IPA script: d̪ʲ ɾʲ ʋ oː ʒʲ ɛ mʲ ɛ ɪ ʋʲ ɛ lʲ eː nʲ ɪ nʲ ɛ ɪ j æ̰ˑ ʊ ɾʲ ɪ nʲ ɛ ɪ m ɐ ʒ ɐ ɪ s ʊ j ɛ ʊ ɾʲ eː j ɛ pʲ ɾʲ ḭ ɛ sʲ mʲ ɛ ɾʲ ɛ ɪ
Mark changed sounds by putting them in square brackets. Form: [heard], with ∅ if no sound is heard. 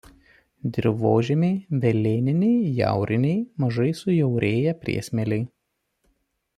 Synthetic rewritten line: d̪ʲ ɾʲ ʋ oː ʒʲ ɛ mʲ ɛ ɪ ʋʲ ɛ lʲ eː nʲ ɪ nʲ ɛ ɪ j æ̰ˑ ʊ ɾʲ ɪ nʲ ɛ ɪ m ɐ ʒ ɐ ɪ s ʊ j ɛ ʊ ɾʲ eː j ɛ pʲ ɾʲ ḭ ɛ sʲ mʲ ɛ [lʲ] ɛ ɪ